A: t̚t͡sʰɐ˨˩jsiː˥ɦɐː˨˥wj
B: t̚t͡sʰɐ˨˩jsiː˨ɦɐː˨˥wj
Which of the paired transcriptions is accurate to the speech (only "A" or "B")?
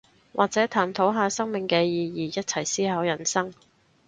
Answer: A